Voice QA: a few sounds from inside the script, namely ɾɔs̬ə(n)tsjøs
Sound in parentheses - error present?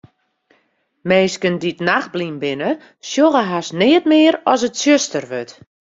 yes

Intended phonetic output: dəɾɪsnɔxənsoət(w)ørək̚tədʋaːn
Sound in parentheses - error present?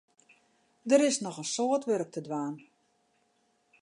yes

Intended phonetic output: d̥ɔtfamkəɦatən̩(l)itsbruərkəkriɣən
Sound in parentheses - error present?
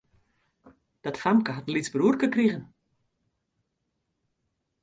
no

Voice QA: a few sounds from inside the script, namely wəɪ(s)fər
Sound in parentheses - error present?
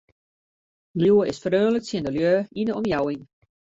no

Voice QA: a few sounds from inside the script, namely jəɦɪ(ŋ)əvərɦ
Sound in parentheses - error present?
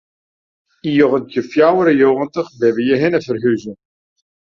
yes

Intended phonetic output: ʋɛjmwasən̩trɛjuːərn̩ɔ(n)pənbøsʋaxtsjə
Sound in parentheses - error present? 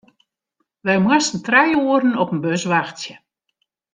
yes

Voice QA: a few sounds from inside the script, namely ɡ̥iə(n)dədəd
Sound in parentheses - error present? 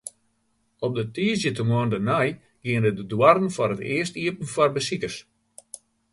no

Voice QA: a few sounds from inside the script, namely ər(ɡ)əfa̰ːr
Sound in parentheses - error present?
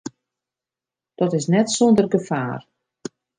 no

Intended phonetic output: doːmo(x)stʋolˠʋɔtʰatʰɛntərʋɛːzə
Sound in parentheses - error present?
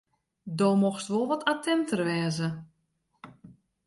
no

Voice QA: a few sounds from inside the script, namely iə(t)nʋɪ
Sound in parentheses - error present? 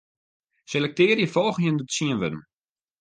yes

